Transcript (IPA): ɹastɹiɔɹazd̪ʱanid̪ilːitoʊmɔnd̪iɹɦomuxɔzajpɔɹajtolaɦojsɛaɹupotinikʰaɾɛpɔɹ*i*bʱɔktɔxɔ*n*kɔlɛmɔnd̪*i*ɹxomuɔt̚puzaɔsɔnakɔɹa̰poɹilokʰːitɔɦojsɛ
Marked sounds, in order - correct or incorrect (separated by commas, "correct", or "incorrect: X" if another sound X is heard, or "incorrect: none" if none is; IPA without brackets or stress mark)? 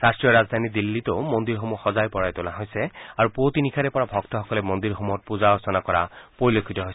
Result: incorrect: a, incorrect: none, correct